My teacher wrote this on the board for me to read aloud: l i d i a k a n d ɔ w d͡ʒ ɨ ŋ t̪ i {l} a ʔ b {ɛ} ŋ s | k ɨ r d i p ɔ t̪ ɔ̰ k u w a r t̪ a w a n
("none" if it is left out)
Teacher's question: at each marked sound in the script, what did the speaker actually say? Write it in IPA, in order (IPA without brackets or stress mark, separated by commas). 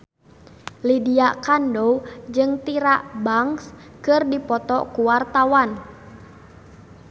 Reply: ɾ, a